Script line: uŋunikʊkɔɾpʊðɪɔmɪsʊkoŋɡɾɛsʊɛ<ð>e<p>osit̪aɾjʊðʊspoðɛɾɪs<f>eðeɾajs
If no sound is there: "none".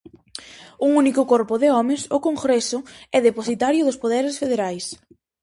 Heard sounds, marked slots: ð, p, f

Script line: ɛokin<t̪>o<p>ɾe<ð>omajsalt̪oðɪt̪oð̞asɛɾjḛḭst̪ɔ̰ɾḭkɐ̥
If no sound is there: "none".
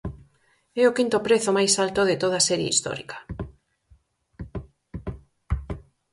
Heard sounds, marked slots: t̪, p, θ

